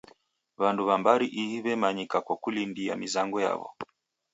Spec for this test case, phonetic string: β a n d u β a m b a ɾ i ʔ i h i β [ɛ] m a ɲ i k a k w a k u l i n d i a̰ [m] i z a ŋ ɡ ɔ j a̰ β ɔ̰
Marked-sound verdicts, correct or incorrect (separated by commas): correct, correct